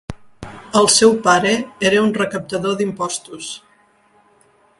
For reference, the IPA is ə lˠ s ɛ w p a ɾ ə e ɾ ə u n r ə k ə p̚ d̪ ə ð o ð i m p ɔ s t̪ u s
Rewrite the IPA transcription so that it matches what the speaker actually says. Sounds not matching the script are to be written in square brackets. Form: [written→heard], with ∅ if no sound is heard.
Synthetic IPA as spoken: ə lˠ s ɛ w p a ɾ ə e ɾ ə u n r ə k ə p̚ [d̪→t̪] ə ð o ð i m p ɔ s t̪ u s